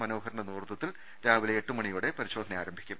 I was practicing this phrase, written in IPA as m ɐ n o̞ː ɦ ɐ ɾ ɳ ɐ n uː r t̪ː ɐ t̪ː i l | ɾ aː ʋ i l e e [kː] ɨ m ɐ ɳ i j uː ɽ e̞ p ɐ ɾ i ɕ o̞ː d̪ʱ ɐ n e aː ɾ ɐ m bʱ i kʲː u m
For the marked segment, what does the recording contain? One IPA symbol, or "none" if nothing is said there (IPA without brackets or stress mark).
ʈː